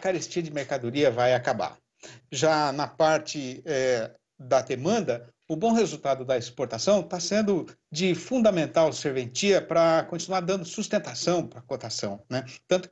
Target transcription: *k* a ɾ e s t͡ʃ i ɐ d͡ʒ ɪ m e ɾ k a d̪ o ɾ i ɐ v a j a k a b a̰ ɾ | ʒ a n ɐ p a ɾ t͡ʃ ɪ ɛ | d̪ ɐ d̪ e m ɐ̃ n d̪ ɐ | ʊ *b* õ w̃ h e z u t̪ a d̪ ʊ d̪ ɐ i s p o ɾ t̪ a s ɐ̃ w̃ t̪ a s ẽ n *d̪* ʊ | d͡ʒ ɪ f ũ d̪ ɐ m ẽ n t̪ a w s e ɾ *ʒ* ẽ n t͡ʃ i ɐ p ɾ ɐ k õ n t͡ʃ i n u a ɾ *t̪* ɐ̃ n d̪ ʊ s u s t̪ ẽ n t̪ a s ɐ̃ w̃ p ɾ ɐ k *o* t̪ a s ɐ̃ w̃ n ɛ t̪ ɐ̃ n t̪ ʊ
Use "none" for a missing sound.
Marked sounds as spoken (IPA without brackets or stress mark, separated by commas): k, b, d̪, v, d̪, o